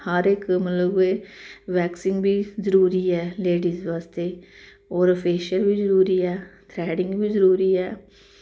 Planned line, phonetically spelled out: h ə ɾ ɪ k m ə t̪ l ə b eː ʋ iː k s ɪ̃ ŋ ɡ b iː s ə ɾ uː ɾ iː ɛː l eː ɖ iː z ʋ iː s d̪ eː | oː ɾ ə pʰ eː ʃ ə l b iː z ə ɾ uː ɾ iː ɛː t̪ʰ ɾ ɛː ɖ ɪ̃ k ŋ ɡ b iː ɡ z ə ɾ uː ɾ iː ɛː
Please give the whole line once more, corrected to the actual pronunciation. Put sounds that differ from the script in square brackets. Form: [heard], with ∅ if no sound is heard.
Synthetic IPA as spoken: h ə ɾ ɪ k m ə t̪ l ə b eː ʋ [ɛː] k s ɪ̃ ŋ ɡ b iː [z] ə ɾ uː ɾ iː ɛː l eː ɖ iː z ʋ [aː] s [t̪] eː | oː ɾ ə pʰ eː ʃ ə l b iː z ə ɾ uː ɾ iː ɛː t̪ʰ ɾ ɛː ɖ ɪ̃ [∅] ŋ ɡ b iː [∅] z ə ɾ uː ɾ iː ɛː